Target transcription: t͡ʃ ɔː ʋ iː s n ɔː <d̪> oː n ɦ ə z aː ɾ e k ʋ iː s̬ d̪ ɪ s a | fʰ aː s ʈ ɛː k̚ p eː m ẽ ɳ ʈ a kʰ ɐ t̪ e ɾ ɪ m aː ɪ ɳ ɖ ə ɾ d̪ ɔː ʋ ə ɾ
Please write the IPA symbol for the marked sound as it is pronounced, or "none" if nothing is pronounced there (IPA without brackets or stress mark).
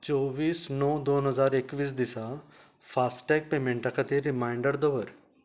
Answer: d̪